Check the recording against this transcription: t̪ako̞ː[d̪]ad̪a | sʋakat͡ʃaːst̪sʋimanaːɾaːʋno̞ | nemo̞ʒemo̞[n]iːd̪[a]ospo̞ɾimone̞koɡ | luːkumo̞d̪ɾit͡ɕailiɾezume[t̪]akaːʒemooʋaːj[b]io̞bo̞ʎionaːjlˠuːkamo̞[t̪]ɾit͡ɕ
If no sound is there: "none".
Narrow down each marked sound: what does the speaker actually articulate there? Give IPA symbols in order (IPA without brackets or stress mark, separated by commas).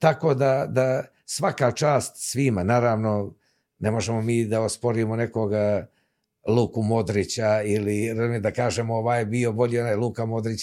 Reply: d̪, m, a, d̪, b, d̪